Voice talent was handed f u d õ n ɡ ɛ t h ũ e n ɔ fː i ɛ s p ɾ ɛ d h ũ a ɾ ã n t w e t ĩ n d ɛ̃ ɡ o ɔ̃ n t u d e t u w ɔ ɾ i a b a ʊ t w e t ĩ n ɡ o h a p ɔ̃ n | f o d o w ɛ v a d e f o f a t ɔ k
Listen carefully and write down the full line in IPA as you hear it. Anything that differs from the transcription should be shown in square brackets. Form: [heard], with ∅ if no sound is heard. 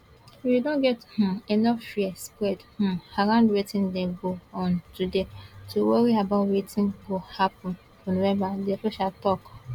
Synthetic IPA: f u d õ n ɡ ɛ t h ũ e n ɔ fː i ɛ s p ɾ ɛ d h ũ a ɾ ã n [d] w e t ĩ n d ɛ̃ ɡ o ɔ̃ n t u d e t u w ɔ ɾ i a b a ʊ t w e t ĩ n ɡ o h a p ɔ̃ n | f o [n] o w ɛ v a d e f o [ʃ] a t ɔ k